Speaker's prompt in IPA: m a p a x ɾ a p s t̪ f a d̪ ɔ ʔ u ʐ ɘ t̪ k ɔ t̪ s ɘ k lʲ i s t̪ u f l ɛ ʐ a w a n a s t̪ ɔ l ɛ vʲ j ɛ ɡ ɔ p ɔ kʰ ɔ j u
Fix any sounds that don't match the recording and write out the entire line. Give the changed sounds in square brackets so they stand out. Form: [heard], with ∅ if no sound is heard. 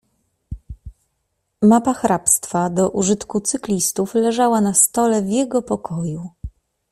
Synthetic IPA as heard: m a p a x ɾ a p s t̪ f a d̪ ɔ ʔ u ʐ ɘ t̪ k [u] t̪ s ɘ k lʲ i s t̪ u f l ɛ ʐ a w a n a s t̪ ɔ l ɛ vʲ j ɛ ɡ ɔ p ɔ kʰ ɔ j u